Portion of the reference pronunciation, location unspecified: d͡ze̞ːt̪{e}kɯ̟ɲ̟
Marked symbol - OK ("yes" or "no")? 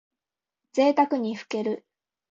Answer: no